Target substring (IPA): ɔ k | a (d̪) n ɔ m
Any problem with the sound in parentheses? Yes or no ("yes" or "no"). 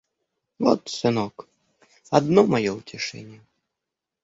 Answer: no